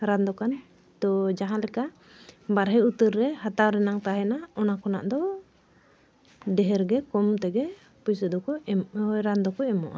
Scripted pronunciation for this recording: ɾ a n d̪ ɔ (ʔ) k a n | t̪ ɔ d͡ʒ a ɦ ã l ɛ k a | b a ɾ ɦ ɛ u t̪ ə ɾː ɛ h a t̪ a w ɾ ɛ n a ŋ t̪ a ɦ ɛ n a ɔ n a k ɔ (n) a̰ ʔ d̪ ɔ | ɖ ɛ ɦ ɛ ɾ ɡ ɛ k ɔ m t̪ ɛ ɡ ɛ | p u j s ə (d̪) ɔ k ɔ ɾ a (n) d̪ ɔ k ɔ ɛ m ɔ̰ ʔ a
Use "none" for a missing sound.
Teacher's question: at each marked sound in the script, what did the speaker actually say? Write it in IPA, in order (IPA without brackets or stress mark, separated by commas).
none, n, d̪, n